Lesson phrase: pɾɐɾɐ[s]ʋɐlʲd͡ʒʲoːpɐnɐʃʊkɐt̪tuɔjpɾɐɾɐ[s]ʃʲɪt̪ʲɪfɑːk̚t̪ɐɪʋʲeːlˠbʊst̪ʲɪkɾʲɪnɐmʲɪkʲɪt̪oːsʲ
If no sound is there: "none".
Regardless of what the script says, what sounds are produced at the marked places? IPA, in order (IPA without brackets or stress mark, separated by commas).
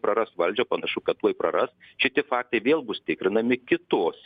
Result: s, s